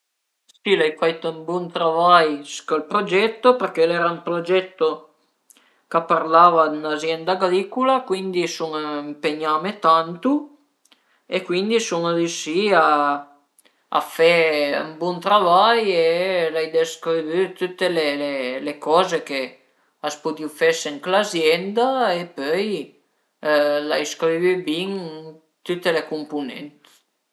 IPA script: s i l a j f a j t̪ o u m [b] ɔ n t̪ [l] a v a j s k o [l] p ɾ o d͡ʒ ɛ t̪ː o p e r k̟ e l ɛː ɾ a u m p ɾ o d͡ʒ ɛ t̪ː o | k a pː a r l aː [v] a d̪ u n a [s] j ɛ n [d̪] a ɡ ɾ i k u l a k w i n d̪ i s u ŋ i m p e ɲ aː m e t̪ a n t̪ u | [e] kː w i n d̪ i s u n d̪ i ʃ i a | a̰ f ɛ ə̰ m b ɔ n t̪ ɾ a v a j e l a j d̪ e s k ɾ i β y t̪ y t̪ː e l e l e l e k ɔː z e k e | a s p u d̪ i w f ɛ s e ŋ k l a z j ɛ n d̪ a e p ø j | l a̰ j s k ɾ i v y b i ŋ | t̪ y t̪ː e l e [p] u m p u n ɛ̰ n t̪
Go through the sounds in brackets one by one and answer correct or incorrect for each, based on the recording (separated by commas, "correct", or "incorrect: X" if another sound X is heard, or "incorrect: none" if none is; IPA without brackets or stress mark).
correct, incorrect: ɾ, correct, correct, incorrect: z, correct, correct, incorrect: k